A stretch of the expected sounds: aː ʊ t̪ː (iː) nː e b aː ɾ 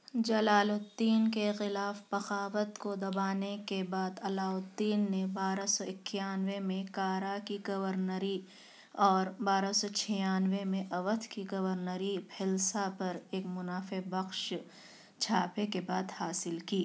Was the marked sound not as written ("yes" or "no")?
no